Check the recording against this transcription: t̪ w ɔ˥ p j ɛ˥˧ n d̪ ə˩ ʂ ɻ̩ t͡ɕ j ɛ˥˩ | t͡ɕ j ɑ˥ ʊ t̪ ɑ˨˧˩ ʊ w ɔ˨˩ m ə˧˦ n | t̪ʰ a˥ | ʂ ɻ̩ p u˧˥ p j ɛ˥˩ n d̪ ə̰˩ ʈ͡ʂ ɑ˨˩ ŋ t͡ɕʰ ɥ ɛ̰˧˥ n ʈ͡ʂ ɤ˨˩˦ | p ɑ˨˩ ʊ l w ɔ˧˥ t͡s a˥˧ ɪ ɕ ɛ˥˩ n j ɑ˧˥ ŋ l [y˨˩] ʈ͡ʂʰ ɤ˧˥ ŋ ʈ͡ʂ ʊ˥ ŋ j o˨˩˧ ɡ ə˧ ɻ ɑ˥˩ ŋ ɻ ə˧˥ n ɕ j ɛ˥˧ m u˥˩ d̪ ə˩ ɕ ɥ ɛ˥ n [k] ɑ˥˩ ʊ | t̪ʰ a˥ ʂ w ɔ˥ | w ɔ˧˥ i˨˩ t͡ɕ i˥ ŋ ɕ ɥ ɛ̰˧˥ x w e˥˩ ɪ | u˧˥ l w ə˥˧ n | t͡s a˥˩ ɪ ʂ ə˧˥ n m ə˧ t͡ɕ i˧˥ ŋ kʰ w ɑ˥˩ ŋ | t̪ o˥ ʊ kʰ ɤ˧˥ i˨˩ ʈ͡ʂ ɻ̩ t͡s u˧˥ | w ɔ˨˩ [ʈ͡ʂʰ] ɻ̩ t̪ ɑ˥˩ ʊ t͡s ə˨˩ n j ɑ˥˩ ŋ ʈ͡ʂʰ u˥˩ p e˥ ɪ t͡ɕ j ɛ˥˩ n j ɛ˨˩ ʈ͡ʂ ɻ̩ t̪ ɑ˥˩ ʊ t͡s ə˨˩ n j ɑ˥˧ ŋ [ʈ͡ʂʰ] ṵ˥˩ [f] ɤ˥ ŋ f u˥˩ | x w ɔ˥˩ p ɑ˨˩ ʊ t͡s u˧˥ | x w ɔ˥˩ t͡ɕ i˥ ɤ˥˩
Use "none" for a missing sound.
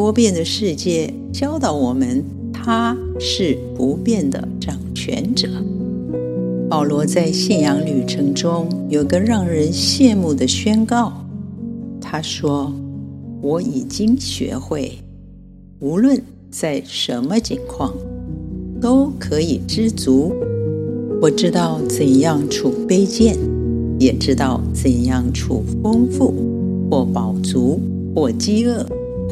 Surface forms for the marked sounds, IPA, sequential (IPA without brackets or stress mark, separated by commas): y˨˩, k, ʈ͡ʂ, ʈ͡ʂʰ, f